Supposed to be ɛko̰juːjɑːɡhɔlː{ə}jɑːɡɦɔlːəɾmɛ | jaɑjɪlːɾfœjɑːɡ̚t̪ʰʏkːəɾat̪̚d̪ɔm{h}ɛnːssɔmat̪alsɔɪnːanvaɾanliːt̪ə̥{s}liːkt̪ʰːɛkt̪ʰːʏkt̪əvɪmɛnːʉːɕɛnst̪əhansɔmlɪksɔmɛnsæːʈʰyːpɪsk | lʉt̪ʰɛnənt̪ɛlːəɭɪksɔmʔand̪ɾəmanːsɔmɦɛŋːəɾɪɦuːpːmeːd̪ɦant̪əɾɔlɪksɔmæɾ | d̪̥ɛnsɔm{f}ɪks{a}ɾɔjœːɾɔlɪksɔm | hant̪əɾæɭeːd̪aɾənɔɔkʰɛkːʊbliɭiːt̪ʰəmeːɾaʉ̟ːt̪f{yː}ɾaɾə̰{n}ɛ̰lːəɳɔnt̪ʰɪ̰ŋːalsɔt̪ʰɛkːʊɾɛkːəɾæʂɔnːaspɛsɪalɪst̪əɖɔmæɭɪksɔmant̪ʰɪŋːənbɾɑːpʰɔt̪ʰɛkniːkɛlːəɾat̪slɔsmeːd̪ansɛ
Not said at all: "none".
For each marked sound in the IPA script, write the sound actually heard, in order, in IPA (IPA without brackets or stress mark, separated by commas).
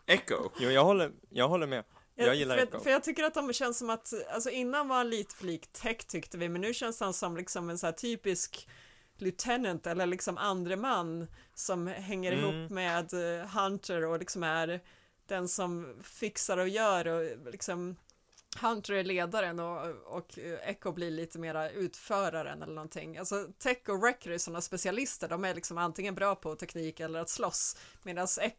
ə, ɕ, f, f, a, œː, n